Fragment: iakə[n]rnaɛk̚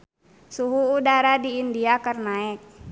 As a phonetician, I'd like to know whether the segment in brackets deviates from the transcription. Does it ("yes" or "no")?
yes